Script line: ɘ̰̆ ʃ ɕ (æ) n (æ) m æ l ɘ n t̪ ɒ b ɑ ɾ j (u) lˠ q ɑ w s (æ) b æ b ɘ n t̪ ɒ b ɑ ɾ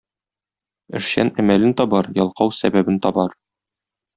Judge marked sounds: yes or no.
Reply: yes, yes, no, yes

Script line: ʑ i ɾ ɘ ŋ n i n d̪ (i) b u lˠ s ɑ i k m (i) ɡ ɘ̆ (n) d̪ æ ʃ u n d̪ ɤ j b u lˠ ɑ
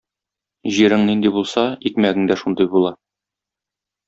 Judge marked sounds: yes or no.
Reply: yes, no, no

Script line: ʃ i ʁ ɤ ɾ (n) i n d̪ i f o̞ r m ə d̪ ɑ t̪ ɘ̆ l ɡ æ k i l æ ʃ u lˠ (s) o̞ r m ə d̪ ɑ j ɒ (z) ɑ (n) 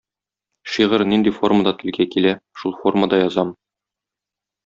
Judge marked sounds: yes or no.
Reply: yes, no, yes, no

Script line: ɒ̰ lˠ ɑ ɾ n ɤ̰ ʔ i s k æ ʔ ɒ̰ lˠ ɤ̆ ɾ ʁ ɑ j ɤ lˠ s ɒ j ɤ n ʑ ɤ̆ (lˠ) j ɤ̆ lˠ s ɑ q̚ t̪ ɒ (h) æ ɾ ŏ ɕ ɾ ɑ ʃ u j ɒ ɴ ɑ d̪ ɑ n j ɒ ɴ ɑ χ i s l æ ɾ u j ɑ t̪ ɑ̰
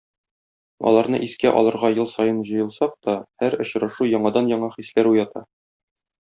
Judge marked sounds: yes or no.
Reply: no, yes

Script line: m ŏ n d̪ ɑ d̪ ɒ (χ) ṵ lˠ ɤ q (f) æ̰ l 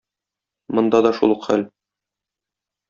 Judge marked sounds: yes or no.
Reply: no, no

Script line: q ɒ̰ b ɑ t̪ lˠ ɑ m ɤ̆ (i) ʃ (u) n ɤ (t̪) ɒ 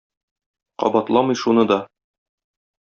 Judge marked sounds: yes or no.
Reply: no, yes, no

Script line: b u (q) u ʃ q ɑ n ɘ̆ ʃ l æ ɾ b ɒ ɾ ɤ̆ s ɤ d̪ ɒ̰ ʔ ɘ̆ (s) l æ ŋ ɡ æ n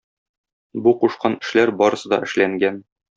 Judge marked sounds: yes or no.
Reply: yes, no

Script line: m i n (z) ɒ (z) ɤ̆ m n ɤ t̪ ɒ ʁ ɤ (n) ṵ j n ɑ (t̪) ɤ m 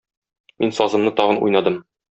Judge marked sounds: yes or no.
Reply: no, yes, yes, no

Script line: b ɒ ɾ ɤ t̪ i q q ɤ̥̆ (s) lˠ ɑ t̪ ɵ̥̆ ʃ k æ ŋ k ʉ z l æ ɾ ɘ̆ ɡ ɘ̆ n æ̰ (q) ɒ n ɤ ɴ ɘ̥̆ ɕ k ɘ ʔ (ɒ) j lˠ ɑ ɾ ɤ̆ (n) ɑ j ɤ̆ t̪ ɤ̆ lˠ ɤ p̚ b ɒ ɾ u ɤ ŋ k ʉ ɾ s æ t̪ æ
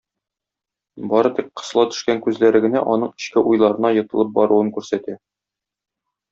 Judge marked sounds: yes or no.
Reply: yes, no, no, yes

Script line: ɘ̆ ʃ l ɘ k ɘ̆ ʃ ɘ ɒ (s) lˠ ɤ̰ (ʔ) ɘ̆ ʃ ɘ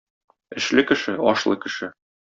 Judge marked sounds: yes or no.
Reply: no, no

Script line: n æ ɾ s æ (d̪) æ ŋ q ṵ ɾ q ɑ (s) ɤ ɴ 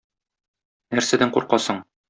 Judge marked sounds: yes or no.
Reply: yes, yes

